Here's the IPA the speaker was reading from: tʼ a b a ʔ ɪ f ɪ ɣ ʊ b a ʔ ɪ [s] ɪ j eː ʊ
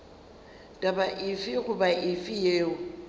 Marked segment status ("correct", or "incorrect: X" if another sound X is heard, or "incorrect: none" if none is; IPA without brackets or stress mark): incorrect: f